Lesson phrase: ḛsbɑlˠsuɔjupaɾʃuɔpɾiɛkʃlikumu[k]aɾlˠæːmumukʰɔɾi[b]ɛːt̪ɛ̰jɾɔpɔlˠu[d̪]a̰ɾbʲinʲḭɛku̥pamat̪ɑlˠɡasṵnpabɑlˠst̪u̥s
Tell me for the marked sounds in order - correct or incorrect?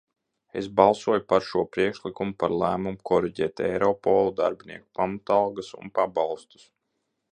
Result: incorrect, incorrect, correct

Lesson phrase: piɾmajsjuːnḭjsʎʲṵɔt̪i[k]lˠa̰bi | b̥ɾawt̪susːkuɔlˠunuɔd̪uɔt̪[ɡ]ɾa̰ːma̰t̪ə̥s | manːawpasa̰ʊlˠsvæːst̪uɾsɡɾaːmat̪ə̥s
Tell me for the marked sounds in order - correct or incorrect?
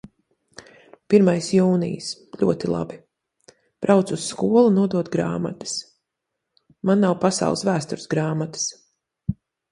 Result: incorrect, correct

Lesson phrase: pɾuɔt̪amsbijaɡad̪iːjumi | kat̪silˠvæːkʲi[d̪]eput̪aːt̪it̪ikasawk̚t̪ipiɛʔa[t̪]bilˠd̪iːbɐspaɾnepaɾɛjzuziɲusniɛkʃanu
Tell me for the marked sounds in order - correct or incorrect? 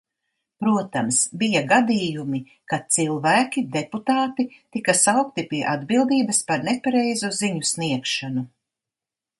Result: correct, incorrect

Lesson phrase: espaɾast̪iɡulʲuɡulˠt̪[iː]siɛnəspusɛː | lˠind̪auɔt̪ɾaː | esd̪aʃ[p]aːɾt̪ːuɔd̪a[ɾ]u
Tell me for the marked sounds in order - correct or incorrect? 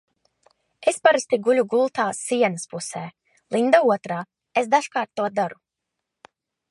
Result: incorrect, incorrect, correct

